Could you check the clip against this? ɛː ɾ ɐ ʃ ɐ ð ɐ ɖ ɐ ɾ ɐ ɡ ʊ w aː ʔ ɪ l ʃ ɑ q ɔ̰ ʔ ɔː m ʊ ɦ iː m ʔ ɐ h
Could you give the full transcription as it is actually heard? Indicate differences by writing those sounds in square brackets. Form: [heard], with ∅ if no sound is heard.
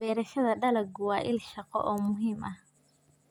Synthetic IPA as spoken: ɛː ɾ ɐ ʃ ɐ ð ɐ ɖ ɐ [l] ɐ ɡ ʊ w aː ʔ ɪ l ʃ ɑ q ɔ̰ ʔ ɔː m ʊ ɦ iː m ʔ ɐ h